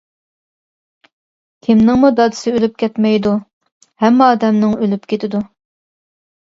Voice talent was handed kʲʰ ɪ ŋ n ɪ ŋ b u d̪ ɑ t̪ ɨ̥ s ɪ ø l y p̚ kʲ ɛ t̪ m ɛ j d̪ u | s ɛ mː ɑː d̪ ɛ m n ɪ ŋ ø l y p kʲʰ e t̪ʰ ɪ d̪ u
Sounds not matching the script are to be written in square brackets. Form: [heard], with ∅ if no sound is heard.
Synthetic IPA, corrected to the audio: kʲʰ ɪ [m] n ɪ ŋ [m] u d̪ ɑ [d̪] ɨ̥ s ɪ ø l y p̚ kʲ ɛ t̪ m ɛ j d̪ u | [h] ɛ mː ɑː d̪ ɛ m n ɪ ŋ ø l y p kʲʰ e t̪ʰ ɪ d̪ u